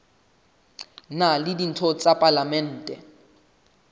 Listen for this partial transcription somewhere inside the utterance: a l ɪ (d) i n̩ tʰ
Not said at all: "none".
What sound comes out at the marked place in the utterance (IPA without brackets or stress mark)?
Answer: d